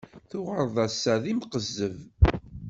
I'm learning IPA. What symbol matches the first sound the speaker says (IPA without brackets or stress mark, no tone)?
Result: θ